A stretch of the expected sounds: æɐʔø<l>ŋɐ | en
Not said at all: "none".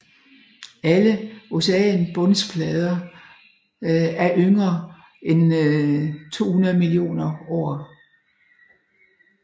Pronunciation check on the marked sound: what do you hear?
none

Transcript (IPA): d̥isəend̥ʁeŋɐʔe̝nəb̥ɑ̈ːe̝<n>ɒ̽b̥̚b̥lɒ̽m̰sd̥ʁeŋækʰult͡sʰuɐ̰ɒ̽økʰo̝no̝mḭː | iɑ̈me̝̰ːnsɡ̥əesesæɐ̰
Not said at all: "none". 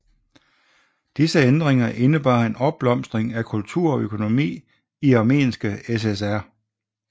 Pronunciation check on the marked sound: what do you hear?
n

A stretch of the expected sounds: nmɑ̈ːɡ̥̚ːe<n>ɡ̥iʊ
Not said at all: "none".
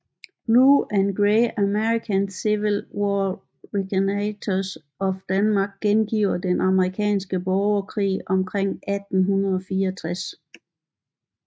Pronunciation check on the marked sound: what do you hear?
n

